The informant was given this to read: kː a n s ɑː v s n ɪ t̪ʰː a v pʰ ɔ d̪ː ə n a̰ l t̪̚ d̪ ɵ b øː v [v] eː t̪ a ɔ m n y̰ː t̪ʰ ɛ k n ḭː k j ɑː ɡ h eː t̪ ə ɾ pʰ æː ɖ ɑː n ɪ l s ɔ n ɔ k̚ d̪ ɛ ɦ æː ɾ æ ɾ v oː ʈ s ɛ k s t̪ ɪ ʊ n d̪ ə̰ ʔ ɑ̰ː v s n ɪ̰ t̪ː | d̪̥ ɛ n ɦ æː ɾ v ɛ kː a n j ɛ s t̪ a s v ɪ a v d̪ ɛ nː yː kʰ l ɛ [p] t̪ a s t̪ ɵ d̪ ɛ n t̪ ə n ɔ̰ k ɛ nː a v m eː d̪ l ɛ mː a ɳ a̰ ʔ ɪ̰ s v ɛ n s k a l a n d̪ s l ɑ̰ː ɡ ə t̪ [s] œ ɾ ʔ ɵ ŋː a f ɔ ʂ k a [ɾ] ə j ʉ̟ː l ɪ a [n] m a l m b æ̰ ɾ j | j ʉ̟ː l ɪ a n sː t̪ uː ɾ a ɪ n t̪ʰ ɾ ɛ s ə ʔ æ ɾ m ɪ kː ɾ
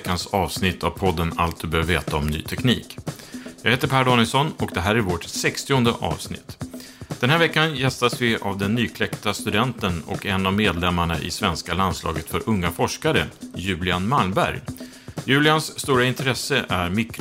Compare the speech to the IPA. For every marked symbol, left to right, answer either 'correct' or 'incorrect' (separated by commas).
correct, incorrect, incorrect, correct, correct